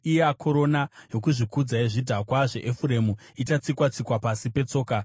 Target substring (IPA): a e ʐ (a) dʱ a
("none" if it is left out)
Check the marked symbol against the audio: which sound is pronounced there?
i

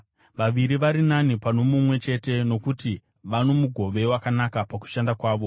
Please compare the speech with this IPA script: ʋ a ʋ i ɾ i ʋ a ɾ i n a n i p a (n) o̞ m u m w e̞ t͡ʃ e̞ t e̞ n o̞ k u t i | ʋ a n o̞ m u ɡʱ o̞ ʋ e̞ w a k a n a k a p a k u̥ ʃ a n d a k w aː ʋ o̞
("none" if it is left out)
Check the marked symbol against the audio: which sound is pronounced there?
n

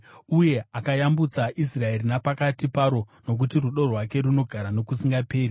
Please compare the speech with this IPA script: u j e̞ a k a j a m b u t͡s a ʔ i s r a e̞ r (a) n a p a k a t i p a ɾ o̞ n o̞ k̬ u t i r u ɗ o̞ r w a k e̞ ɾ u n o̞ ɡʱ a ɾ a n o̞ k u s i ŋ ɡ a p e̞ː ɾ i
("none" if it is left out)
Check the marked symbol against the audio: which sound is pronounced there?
i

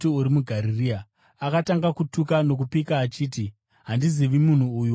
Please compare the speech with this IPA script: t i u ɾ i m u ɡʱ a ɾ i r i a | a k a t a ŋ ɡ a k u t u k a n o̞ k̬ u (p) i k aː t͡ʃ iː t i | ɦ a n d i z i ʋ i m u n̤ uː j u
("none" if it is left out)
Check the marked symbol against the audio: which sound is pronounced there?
p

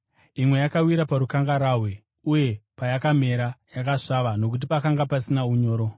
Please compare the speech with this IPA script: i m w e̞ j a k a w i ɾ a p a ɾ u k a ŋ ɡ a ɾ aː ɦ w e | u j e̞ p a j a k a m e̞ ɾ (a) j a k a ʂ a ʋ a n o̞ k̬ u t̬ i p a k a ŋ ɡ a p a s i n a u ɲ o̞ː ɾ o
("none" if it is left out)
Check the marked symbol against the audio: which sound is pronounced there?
a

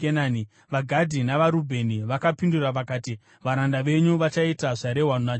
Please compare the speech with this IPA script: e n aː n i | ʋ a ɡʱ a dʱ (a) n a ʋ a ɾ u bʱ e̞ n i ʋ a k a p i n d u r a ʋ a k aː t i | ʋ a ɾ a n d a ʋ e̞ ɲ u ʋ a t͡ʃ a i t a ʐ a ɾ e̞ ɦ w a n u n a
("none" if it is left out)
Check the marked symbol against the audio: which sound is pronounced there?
i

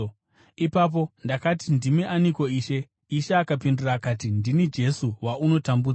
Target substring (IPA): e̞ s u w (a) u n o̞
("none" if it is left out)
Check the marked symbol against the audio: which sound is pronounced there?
a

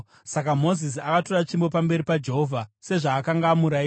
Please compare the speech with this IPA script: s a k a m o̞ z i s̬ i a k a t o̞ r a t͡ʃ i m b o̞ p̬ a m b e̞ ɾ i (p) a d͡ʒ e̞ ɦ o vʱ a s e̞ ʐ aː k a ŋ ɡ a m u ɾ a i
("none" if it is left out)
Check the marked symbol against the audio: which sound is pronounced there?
p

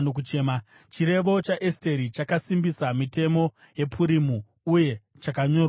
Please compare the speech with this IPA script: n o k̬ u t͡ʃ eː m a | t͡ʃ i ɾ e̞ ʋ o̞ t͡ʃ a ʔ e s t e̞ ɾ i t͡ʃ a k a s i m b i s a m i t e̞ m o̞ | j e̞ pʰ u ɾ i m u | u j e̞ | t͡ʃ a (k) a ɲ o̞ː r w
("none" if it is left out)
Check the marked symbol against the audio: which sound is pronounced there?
k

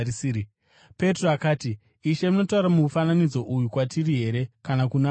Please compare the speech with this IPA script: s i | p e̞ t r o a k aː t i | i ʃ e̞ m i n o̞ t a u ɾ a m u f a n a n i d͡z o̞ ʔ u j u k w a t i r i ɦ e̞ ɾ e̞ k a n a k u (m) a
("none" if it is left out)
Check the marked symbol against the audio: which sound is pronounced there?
n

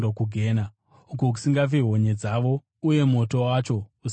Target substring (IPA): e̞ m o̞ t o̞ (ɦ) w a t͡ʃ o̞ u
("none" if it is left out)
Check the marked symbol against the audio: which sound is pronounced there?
none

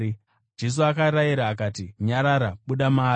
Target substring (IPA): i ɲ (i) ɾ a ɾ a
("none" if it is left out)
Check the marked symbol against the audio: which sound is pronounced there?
a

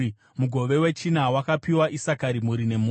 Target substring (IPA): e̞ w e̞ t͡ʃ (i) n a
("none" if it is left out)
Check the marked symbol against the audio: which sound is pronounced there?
i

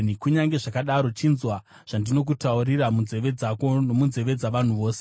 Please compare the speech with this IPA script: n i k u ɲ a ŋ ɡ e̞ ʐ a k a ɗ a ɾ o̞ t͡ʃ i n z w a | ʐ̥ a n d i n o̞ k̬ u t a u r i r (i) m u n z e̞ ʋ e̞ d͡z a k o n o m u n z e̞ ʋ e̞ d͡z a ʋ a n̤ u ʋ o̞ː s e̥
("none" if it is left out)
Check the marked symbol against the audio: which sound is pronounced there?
a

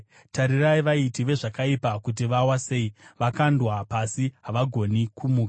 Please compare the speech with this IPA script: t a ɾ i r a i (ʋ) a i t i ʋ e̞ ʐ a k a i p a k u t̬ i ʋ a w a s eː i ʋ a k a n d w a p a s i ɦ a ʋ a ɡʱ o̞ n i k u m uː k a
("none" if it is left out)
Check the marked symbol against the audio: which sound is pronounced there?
ʋ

